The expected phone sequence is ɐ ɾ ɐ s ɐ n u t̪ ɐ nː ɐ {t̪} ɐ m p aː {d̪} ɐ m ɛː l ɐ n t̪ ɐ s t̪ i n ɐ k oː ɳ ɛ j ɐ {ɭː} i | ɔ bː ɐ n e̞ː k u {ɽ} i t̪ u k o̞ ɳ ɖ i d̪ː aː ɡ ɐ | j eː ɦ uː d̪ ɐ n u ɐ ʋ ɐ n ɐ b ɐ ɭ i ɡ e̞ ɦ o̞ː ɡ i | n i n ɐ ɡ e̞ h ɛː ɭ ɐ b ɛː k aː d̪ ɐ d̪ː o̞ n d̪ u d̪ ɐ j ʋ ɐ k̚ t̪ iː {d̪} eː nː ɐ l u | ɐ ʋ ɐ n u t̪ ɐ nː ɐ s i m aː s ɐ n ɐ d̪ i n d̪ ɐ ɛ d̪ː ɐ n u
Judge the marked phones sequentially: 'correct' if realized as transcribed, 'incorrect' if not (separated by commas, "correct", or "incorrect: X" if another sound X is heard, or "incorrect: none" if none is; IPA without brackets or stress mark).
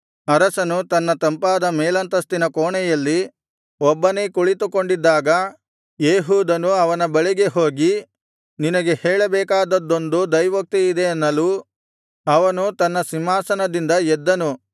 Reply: correct, correct, incorrect: lː, incorrect: ɭ, correct